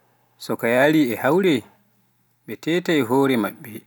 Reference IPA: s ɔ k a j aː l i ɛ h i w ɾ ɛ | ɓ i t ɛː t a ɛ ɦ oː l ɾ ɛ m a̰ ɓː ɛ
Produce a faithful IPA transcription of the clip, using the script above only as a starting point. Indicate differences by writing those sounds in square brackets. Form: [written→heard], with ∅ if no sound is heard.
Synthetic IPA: s ɔ k a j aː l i ɛ h [i→a] w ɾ ɛ | ɓ [i→ɛ] t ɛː t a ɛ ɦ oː [l→∅] ɾ ɛ m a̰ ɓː ɛ